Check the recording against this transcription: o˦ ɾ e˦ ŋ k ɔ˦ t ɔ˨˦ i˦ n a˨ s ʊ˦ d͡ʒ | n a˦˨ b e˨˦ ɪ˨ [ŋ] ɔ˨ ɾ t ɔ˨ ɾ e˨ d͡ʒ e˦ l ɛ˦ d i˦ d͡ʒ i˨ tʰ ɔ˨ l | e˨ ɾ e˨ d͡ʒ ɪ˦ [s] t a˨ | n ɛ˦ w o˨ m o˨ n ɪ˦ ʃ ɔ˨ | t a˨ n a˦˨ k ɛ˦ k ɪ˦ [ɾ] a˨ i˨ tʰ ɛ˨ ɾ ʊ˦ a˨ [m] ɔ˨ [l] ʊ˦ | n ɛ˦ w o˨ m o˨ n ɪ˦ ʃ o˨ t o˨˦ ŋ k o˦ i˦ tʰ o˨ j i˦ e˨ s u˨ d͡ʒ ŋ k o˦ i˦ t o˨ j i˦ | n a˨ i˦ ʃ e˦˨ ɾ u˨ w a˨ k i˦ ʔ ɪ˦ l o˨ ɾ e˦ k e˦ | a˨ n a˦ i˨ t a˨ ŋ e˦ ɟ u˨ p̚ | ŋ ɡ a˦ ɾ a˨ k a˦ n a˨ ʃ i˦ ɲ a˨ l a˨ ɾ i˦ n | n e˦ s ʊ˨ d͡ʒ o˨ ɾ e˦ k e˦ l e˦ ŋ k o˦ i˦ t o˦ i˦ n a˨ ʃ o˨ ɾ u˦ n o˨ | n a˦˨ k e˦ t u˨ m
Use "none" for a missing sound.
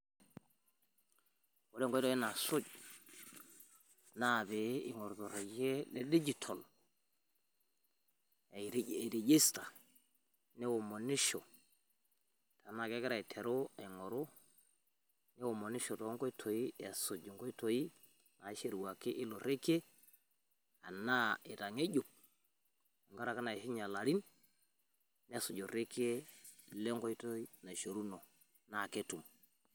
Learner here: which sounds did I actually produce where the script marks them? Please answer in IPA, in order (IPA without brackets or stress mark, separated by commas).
ŋ, s, ɾ, ŋ, ɾ